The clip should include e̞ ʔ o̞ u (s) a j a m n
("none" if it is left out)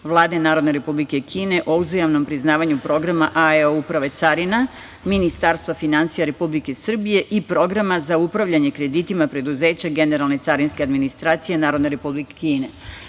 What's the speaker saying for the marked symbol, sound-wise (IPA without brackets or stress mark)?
z